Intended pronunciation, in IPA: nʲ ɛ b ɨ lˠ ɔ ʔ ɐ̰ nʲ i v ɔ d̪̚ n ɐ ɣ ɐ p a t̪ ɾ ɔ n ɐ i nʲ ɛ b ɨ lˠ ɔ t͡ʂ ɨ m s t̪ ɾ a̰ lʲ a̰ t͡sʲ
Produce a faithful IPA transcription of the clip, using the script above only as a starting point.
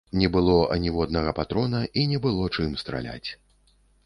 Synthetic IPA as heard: nʲ ɛ b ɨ lˠ ɔ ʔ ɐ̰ nʲ i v ɔ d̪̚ n ɐ ɣ ɐ p a t̪ ɾ ɔ n ɐ i nʲ ɛ b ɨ lˠ ɔ t͡ʂ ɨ m s t̪ ɾ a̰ lʲ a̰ t͡sʲ